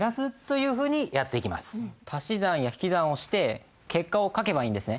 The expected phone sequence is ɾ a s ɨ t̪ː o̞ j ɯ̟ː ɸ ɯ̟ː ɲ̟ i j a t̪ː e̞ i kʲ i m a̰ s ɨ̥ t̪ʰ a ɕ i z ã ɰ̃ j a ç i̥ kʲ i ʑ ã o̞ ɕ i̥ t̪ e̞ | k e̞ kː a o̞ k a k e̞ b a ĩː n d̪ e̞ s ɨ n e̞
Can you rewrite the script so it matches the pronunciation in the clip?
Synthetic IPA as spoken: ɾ a s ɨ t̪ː o̞ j ɯ̟ː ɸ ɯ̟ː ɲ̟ i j a t̪ː e̞ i kʲ i m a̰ s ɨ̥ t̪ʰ a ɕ i z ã ɰ̃ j a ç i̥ kʲ i z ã o̞ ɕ i̥ t̪ e̞ | k e̞ kː a o̞ k a k e̞ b a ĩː n d̪ e̞ s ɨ n e̞